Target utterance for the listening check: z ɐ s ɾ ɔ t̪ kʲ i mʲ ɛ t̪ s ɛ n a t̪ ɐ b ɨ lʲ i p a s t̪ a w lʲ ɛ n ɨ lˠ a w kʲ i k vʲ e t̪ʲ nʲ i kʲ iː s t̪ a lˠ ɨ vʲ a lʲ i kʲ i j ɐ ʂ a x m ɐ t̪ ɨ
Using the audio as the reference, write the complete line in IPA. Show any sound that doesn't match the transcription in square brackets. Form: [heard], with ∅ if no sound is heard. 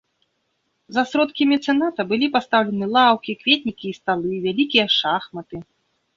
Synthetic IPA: z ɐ s ɾ ɔ t̪ kʲ i mʲ ɛ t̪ s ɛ n a t̪ ɐ b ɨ lʲ i p a s t̪ a w lʲ ɛ n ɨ lˠ a w kʲ i k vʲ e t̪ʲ nʲ i kʲ iː s t̪ a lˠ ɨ vʲ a lʲ i kʲ i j ɐ ʂ a x m ɐ t̪ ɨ